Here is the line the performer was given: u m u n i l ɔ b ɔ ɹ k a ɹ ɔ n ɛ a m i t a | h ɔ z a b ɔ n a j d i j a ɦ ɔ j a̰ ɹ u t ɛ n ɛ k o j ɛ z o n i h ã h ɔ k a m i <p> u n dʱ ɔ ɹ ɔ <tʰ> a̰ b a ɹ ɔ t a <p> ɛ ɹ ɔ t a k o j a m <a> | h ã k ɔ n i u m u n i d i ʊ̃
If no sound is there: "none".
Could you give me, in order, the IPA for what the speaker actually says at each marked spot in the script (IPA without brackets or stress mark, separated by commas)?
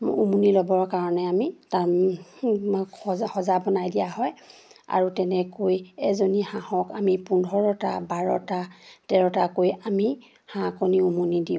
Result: p, t, t, i